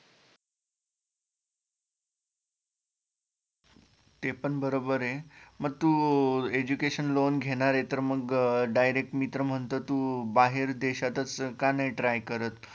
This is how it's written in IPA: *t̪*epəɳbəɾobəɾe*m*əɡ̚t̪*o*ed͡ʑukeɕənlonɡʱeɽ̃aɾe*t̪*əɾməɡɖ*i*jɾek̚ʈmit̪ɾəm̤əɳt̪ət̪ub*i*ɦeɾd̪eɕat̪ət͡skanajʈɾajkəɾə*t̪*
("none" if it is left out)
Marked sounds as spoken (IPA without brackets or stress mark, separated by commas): t̪, m, u, t̪, a, a, t̪